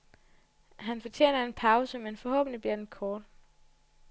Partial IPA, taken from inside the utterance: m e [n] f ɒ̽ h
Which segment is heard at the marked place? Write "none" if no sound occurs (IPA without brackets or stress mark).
n